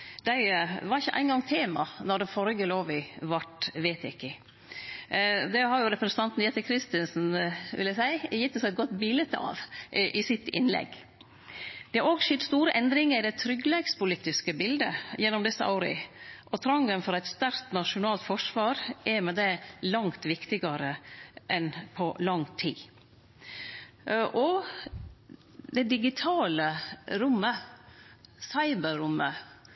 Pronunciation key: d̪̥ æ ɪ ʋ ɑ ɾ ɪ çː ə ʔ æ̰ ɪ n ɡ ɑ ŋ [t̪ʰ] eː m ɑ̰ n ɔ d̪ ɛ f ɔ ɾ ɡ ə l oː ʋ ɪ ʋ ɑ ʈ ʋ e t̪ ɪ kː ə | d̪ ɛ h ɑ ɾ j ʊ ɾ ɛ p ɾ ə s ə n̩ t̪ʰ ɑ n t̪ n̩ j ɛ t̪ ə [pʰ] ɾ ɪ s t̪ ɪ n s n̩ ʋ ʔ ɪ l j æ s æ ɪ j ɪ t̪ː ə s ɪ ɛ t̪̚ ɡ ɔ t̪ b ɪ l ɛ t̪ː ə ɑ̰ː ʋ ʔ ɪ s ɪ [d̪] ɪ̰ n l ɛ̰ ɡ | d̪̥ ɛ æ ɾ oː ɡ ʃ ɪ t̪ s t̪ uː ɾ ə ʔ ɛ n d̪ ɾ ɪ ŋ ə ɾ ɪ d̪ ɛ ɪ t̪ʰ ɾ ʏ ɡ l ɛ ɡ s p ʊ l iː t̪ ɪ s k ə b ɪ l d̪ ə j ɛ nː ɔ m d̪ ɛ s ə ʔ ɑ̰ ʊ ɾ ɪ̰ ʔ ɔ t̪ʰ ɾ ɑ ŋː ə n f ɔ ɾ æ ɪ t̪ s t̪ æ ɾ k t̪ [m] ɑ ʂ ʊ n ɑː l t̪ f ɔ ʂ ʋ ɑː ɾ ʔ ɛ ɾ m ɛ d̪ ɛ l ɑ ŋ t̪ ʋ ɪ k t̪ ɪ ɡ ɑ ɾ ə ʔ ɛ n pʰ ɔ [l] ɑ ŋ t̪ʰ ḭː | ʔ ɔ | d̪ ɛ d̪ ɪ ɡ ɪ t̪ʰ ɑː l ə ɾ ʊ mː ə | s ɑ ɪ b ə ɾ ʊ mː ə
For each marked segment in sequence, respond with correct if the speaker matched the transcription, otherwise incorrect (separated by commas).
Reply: correct, incorrect, incorrect, incorrect, correct